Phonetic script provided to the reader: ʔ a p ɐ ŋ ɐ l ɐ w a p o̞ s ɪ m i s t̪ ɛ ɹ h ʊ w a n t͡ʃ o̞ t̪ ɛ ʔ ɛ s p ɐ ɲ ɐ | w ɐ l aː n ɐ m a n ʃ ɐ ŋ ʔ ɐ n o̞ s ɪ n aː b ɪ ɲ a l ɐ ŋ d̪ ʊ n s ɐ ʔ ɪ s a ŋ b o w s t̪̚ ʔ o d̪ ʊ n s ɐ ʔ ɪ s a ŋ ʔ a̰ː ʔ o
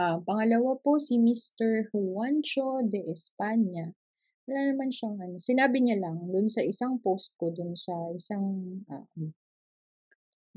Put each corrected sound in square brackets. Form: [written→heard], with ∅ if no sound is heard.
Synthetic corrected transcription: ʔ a p ɐ ŋ ɐ l ɐ w a p o̞ s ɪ m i s t̪ ɛ ɹ h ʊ w a n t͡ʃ o̞ [t̪→d̪] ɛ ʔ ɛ s p [ɐ→a] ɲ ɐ | w ɐ l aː n ɐ m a n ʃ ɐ ŋ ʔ ɐ n o̞ s ɪ n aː b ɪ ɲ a l ɐ ŋ d̪ ʊ n s ɐ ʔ ɪ s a ŋ [b→p] o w s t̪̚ [ʔ→k] o d̪ ʊ n s ɐ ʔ ɪ s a ŋ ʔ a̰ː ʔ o